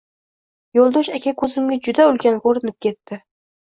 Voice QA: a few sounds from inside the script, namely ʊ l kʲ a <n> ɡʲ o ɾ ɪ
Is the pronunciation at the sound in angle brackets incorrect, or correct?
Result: correct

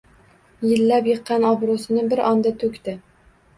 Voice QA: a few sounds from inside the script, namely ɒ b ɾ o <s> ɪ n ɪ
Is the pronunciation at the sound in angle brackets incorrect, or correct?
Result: correct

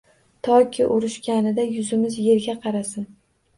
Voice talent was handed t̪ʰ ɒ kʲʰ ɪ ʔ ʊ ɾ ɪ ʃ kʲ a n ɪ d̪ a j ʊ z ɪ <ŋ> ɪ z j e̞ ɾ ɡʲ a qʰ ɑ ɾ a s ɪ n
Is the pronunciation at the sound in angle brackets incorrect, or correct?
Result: incorrect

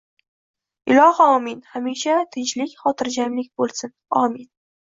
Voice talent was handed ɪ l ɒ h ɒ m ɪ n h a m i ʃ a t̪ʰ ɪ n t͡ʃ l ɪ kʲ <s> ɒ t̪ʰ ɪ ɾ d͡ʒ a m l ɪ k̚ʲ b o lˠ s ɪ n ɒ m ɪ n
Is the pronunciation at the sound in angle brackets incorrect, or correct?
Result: incorrect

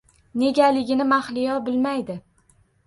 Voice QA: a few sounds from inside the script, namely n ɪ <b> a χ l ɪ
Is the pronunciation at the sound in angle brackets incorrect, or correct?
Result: incorrect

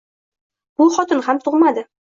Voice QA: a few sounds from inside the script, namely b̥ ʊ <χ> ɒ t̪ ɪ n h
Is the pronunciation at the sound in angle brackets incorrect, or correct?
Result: correct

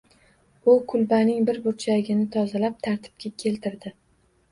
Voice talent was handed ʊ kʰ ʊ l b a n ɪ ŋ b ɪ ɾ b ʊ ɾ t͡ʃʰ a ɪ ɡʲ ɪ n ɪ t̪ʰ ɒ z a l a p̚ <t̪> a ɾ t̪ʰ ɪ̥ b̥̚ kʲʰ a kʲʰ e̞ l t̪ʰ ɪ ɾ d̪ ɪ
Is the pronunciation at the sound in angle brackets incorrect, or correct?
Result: incorrect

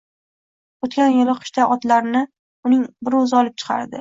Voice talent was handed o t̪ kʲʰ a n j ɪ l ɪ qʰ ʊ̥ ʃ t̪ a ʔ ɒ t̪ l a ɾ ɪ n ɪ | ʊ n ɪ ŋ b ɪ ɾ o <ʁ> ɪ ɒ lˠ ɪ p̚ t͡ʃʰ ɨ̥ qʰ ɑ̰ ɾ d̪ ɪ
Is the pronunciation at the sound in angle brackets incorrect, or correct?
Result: incorrect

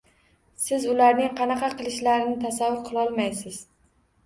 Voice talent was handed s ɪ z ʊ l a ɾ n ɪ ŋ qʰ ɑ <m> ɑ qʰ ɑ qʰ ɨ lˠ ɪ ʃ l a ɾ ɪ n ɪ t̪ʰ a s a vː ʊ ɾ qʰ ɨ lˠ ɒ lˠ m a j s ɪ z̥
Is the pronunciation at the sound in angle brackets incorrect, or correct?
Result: incorrect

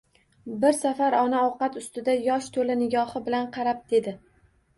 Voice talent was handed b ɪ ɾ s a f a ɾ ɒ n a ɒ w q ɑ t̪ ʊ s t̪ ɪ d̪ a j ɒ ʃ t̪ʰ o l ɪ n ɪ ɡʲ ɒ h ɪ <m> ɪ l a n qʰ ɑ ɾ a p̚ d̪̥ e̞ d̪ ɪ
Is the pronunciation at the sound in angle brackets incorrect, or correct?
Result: incorrect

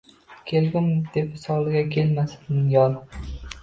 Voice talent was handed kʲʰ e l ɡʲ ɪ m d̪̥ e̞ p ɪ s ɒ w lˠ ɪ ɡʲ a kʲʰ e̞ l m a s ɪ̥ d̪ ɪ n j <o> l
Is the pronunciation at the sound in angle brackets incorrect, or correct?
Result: incorrect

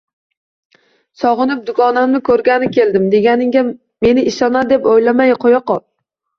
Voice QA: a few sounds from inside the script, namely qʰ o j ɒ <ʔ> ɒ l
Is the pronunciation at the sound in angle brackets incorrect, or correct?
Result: incorrect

